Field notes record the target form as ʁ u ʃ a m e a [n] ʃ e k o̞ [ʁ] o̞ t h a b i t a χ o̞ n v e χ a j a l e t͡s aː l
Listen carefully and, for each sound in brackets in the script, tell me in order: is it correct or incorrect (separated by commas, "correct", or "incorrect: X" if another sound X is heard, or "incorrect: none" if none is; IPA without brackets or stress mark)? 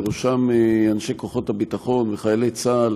correct, incorrect: χ